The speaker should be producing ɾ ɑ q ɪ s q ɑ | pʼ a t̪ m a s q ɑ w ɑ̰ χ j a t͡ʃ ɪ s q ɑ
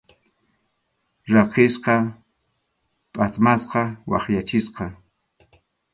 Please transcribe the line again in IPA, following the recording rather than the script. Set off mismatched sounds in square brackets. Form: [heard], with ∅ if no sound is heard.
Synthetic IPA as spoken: ɾ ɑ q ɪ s q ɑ | pʼ a t̪ m a s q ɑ w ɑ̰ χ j a t͡ʃ ɪ s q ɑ